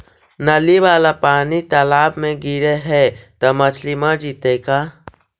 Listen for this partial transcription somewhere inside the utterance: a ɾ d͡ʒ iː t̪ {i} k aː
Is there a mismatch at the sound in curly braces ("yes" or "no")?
yes